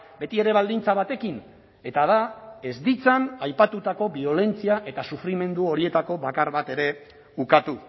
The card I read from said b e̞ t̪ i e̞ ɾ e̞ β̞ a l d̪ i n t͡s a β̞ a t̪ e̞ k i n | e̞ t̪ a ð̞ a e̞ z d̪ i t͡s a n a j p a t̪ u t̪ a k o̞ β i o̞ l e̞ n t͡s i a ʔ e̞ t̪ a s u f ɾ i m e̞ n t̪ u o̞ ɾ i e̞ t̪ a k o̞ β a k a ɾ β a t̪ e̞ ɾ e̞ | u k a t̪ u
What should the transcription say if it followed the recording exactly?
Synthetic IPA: b e̞ t̪ i e̞ ɾ e̞ β̞ a l d̪ i n t͡s a β̞ a t̪ e̞ k i n | e̞ t̪ a ð̞ a e̞ z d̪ i t͡s a n a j p a t̪ u t̪ a k o̞ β i o̞ l e̞ n t͡s i a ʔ e̞ t̪ a s u f ɾ i m e̞ n d̪ u o̞ ɾ i e̞ t̪ a k o̞ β a k a ɾ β a t̪ e̞ ɾ e̞ | u k a t̪ u